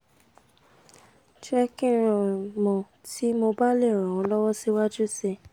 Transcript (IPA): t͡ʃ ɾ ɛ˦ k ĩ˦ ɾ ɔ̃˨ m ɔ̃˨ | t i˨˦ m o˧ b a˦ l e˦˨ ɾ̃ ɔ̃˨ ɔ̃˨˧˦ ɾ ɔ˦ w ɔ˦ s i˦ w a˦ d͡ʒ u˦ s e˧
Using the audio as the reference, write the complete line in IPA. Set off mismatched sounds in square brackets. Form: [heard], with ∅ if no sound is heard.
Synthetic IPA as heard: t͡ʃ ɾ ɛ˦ k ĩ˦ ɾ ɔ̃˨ m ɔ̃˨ | t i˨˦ m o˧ b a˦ l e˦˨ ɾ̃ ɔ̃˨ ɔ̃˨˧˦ [l] ɔ˦ w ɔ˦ s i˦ w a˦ d͡ʒ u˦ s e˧

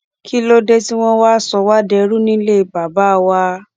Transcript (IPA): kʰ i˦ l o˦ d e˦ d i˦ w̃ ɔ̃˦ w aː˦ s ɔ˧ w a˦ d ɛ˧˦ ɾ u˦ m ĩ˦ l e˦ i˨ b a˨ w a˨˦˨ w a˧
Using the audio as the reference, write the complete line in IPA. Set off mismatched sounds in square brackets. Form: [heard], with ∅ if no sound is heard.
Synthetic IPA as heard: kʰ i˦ l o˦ d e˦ [t] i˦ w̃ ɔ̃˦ w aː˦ s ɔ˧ w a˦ d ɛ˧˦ ɾ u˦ [n] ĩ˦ l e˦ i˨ b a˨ [b] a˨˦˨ w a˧

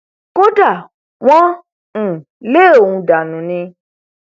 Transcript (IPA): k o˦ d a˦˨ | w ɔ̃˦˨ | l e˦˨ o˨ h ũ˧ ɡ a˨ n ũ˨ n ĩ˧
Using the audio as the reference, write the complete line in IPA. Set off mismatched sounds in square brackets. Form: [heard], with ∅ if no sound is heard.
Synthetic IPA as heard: k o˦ d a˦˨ | w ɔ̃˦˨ | l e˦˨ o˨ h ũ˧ [d] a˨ n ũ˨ n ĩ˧

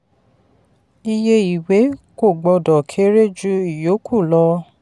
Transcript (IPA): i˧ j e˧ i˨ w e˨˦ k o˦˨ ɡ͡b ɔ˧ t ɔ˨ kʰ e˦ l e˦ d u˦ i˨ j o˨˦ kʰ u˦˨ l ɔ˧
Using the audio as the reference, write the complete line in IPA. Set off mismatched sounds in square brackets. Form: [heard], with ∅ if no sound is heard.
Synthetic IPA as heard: i˧ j e˧ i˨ w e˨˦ k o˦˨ ɡ͡b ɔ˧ [d] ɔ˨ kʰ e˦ [ɾ] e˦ [d͡ʒ] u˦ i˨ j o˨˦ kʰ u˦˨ l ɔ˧

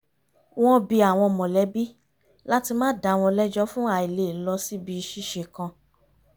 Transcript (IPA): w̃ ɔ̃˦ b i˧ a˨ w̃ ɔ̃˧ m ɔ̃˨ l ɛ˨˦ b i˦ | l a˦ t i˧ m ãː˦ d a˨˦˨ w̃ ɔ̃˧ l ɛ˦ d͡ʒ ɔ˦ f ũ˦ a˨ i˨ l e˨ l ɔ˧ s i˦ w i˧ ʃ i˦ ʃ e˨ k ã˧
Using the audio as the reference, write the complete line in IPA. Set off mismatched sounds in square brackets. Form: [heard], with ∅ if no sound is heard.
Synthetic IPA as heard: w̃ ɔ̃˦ b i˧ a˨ w̃ ɔ̃˧ m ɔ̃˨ l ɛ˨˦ b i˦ | l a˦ t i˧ m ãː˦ d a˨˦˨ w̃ ɔ̃˧ l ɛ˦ d͡ʒ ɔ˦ f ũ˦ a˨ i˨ l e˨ l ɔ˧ s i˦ [b] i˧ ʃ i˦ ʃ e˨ k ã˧

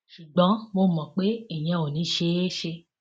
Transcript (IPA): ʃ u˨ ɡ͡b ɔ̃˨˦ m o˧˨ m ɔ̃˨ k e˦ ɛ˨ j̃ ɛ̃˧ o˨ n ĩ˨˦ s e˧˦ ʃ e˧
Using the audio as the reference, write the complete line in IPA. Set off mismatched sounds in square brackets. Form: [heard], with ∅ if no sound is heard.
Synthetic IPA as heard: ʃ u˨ ɡ͡b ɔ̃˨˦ m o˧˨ m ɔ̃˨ [k͡p] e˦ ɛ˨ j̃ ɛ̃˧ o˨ n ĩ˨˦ [ʃ] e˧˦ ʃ e˧

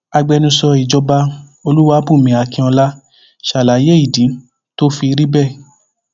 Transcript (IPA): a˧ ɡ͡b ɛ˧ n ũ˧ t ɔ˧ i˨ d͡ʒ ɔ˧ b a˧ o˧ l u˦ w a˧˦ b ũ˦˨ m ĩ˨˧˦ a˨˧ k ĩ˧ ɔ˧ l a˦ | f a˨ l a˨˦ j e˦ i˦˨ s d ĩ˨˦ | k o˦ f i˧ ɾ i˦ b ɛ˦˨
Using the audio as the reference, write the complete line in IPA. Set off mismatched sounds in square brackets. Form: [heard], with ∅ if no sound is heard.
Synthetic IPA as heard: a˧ ɡ͡b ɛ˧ n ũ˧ [s] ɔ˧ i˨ d͡ʒ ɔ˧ b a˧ o˧ l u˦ w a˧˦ b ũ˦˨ m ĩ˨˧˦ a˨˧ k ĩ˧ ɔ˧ l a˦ | [ʃ] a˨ l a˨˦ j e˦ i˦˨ [∅] d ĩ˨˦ | [t] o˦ f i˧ ɾ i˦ b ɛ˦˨

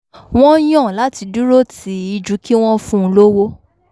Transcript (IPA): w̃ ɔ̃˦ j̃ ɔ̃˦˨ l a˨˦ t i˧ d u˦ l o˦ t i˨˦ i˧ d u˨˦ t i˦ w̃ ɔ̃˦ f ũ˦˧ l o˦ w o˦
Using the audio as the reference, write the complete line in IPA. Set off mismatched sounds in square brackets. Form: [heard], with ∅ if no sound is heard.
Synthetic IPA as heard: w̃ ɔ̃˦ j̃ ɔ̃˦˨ l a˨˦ t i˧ d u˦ [ɾ] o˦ t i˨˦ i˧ [d͡ʒ] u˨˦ [k] i˦ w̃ ɔ̃˦ f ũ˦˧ l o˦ w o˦

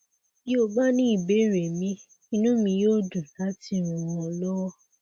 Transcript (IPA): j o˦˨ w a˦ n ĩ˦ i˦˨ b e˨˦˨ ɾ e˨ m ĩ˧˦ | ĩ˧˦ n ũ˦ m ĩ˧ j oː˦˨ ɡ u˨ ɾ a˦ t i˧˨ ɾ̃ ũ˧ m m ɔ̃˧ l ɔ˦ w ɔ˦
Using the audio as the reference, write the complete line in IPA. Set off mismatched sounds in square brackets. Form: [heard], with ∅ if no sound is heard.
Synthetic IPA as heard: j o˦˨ [b] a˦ n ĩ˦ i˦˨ b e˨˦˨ ɾ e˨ m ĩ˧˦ | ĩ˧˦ n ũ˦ m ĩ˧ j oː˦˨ [d] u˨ [l] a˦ t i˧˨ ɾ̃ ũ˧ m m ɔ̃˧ l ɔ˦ w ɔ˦

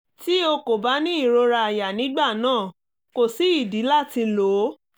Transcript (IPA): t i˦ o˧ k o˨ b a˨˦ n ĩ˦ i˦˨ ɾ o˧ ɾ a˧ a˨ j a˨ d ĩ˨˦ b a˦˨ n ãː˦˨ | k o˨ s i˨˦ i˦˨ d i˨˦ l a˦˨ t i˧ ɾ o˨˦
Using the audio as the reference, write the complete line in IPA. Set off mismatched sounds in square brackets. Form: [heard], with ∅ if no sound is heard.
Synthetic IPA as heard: t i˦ o˧ k o˨ b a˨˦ n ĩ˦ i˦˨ ɾ o˧ ɾ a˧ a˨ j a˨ [n] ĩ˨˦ [ɡ͡b] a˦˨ n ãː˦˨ | k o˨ s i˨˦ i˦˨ d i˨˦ l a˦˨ t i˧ [l] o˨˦

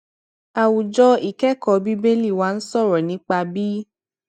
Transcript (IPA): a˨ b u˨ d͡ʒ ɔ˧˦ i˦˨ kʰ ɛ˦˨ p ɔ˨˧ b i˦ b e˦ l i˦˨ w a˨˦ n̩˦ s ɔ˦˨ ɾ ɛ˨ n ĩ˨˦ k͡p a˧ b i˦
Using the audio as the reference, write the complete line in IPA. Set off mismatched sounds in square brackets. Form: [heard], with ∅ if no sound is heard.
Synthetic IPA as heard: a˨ [w] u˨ d͡ʒ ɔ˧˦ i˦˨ [k] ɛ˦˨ [k] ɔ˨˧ b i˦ b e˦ l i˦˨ w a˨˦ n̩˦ s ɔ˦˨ ɾ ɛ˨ n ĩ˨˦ k͡p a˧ b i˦

